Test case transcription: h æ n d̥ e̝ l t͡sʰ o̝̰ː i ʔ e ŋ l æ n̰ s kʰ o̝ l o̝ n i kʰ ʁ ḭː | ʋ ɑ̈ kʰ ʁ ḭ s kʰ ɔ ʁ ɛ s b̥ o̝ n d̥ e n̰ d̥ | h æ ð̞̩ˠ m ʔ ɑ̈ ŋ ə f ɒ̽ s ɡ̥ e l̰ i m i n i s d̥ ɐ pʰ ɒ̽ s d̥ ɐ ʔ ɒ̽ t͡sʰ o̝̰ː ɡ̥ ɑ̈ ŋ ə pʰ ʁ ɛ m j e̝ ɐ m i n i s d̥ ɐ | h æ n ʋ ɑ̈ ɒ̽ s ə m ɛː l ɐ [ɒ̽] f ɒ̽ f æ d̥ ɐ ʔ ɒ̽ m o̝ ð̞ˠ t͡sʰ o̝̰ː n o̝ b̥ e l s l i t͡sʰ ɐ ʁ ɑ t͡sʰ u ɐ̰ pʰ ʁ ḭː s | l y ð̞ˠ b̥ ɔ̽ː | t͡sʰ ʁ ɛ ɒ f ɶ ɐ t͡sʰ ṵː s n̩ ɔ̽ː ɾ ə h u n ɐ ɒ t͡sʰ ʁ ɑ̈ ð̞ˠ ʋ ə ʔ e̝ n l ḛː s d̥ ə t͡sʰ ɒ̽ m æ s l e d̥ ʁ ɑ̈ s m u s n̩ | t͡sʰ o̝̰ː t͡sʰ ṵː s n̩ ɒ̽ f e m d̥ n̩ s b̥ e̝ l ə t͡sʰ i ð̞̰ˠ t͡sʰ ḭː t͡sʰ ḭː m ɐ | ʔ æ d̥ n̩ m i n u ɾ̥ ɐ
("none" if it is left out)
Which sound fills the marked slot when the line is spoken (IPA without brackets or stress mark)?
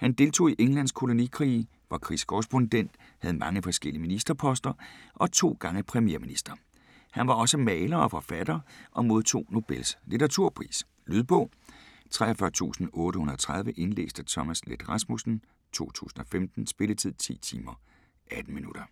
ɒ̽